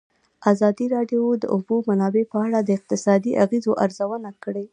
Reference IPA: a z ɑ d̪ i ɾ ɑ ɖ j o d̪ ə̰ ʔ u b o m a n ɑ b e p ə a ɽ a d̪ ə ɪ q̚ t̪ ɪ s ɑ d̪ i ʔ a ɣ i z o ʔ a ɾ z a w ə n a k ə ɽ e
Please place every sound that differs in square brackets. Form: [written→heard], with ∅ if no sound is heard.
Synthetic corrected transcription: a z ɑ d̪ i ɾ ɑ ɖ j o d̪ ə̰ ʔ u b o m a n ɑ b e p ə a ɽ a d̪ ə ɪ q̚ t̪ ɪ s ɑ d̪ i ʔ a ɣ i z o ʔ a ɾ z a w ə n a k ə ɽ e